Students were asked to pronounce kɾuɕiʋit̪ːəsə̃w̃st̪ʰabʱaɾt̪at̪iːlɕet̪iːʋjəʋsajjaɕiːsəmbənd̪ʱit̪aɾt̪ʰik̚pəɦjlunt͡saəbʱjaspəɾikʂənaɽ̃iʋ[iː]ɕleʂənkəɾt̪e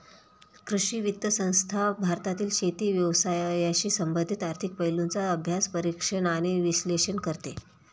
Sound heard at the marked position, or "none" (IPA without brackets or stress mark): i